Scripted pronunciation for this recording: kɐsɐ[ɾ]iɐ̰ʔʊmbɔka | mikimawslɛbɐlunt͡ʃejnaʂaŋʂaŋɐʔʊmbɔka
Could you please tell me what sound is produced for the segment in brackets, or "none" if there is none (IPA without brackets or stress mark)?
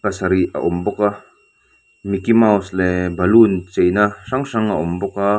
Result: ɾ